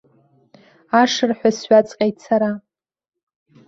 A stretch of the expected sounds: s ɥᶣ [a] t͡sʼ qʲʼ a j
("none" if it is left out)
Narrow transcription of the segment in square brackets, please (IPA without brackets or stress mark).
a